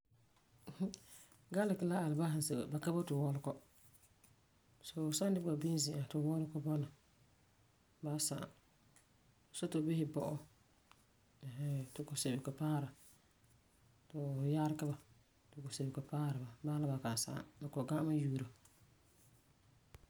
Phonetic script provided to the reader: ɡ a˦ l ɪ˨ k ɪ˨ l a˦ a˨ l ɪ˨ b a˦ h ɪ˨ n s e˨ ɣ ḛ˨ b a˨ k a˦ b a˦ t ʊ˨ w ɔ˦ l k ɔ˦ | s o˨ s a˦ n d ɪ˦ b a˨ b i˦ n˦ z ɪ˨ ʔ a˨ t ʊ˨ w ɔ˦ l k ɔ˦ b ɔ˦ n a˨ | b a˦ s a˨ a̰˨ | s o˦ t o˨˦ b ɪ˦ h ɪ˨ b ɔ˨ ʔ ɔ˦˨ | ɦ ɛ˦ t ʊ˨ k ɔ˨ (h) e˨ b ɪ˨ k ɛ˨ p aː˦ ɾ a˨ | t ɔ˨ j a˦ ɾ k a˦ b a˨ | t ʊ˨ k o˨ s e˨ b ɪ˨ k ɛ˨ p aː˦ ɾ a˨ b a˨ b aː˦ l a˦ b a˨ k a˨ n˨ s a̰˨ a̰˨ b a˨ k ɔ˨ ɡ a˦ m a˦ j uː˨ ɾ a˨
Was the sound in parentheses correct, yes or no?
no